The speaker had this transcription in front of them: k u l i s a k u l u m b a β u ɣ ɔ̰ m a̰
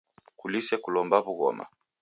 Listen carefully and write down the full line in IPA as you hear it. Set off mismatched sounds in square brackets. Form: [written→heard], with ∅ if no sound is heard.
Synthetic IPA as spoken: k u l i s [a→ɛ] k u l [u→ɔ] m b a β u ɣ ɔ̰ m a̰